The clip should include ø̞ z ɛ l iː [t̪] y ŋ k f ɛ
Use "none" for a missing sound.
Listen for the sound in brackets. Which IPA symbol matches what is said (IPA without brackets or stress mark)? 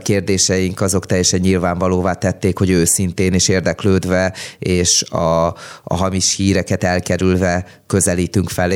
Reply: t̪